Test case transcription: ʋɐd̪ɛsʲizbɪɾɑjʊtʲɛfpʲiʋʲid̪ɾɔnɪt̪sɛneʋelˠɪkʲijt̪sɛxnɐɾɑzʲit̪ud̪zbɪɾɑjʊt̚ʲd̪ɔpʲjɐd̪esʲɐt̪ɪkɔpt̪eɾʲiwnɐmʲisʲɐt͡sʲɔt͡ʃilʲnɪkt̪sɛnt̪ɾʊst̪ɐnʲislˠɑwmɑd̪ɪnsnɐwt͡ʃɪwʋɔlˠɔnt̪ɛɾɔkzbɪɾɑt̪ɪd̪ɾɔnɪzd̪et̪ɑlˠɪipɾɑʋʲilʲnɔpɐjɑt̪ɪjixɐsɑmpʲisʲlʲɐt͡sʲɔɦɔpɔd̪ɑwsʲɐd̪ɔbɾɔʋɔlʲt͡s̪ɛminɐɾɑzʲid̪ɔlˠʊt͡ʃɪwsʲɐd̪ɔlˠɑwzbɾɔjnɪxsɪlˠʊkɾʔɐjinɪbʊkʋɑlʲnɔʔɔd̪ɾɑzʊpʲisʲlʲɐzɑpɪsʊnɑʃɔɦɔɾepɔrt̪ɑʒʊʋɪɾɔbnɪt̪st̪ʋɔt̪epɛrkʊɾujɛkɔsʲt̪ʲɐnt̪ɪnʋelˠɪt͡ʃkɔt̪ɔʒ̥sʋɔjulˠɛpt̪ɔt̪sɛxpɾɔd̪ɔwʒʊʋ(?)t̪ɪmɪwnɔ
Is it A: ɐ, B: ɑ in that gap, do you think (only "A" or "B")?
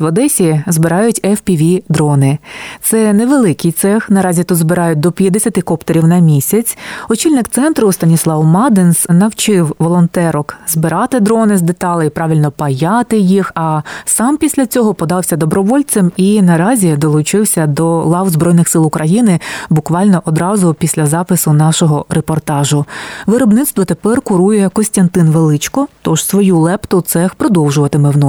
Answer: A